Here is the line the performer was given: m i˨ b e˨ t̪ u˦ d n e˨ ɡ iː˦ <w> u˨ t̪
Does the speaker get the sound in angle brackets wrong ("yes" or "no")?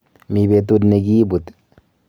yes